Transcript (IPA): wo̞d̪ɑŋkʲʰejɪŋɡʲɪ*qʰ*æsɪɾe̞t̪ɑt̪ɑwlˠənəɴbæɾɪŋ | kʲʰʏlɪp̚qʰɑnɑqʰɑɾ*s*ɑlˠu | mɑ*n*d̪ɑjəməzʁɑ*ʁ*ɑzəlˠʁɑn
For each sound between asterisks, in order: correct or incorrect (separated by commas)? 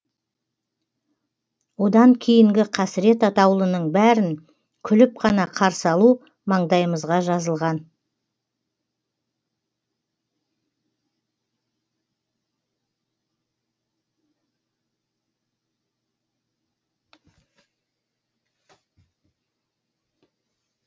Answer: correct, correct, incorrect, incorrect